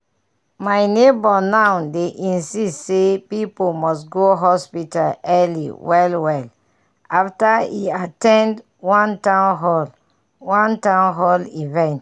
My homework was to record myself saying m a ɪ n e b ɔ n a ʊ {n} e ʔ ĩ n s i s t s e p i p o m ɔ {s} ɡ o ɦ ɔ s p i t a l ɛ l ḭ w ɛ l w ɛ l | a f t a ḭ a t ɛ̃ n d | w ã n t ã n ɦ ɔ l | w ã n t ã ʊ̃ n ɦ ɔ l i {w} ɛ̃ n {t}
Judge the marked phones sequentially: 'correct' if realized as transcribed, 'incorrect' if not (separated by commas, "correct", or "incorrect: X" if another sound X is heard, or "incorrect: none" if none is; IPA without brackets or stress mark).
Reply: incorrect: d, correct, incorrect: v, correct